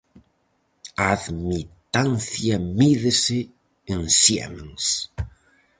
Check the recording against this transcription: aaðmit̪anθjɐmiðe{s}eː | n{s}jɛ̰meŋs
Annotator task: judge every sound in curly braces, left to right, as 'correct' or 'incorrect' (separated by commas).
correct, correct